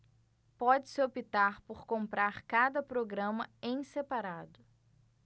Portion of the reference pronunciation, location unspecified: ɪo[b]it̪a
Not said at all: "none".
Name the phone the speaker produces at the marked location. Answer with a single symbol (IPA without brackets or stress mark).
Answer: p